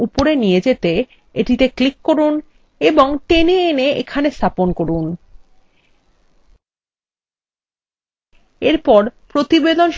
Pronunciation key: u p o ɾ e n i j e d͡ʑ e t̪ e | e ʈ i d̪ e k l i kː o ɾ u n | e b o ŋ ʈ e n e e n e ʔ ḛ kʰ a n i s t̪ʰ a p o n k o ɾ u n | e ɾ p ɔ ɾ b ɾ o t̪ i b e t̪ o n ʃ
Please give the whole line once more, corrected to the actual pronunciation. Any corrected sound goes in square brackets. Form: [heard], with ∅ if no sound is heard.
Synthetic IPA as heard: u p o ɾ e n i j e d͡ʑ e t̪ e | e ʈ i [t̪] e k l i kː o ɾ u n | e b o ŋ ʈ e n e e n e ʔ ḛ kʰ a n [e] s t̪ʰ a p o n k o ɾ u n | e ɾ p ɔ ɾ [p] ɾ o t̪ i b e [d̪] o n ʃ